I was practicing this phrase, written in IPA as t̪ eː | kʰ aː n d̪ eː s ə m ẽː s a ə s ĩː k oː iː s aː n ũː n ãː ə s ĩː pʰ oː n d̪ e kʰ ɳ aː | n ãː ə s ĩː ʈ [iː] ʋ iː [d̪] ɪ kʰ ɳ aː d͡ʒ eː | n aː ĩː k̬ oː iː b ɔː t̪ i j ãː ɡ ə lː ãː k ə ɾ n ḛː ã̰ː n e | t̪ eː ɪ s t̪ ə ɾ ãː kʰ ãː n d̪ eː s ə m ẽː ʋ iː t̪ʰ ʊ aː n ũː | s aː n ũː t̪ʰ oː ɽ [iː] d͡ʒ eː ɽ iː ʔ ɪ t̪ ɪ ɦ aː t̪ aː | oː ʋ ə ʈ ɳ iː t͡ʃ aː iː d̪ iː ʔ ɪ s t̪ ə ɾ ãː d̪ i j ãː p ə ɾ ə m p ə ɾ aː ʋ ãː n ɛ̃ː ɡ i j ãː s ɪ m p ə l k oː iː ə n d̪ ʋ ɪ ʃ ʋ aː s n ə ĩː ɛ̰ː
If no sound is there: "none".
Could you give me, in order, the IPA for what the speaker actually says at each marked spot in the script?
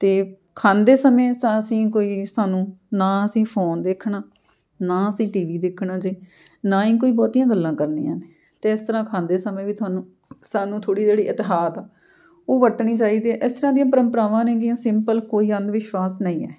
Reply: iː, d̪, iː

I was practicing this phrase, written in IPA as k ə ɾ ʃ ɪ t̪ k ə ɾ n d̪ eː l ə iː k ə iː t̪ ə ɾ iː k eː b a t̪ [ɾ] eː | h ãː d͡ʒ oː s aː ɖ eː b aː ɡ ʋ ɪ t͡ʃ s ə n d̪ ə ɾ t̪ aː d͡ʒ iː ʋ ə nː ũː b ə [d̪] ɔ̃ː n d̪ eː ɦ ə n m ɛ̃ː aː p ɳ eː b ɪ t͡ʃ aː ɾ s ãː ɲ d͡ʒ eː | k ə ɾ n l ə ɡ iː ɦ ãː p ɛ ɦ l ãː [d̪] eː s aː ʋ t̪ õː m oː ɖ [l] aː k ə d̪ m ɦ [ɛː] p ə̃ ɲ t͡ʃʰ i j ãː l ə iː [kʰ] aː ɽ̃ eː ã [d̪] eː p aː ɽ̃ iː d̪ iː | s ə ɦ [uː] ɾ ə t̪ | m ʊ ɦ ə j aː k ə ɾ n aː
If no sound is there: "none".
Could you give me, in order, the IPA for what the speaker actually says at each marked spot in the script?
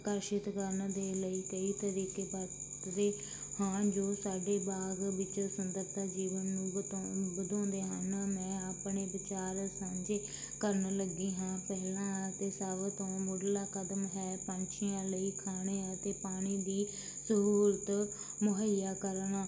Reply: ɾ, d̪, t̪, l, ɛː, kʰ, t̪, uː

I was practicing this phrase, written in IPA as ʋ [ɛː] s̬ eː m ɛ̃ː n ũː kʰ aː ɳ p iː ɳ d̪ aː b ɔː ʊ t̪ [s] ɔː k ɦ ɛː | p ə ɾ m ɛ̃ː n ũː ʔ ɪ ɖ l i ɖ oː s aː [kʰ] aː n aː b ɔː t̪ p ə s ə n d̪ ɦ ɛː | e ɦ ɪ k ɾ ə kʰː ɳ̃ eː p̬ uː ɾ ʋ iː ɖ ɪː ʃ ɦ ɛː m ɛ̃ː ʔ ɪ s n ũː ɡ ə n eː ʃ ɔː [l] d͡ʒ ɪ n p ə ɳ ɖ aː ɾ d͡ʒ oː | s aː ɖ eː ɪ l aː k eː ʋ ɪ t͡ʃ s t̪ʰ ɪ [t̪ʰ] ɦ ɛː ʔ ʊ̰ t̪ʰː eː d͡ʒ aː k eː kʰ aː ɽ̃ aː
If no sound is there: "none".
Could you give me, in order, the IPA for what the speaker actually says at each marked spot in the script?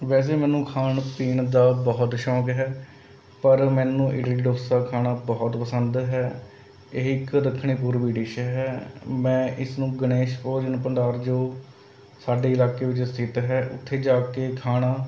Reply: ɛː, ʃ, kʰ, ɾ, t̪

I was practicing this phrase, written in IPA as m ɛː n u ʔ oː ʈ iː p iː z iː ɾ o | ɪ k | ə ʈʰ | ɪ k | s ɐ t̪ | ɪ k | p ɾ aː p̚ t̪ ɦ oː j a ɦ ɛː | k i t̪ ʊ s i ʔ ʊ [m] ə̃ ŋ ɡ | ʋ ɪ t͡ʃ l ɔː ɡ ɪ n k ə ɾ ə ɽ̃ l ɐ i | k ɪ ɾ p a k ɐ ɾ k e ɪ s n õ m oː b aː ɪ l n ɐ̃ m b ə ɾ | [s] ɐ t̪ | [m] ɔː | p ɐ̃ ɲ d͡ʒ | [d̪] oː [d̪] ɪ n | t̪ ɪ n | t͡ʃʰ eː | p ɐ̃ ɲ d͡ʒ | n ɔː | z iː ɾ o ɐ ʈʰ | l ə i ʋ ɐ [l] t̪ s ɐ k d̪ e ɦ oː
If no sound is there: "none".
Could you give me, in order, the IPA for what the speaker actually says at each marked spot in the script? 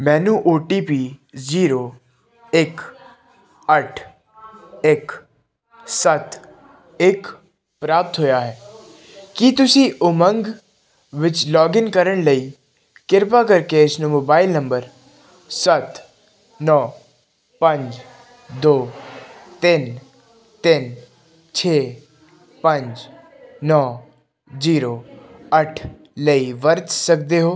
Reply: m, s, n, d̪, t̪, ɾ

